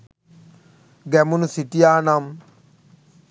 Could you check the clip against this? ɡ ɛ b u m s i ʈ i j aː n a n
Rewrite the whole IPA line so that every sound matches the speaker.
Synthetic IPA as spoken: ɡ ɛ m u n s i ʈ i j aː n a m